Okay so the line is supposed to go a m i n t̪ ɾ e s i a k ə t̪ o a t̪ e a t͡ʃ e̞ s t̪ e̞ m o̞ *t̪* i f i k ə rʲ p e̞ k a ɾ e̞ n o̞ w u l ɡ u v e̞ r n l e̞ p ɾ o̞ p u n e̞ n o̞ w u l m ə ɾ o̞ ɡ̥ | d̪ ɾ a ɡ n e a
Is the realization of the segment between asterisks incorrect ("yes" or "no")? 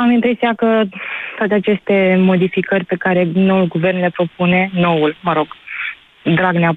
yes